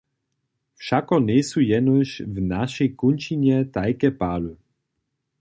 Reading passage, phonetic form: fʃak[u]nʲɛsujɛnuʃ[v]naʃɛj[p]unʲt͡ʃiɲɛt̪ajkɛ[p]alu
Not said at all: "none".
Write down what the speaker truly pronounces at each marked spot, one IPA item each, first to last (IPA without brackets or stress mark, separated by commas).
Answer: ɔ, v, k, p